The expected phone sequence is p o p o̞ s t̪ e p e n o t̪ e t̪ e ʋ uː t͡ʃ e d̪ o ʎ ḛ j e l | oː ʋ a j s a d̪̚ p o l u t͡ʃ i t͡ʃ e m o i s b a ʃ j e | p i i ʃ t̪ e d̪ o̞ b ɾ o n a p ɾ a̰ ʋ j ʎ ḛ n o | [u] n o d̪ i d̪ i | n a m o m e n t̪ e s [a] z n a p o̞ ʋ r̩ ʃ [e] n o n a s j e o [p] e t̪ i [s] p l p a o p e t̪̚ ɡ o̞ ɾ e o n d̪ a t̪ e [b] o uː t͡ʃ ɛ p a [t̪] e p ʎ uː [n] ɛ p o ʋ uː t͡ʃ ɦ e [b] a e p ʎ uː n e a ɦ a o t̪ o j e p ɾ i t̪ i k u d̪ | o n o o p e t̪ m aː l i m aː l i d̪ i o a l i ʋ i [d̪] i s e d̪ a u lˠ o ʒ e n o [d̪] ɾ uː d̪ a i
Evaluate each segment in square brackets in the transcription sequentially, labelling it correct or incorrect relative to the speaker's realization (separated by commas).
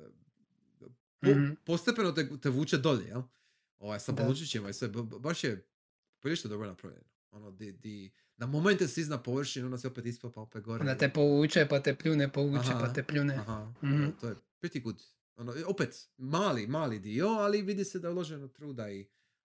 incorrect, incorrect, incorrect, correct, correct, incorrect, correct, correct, incorrect, correct, incorrect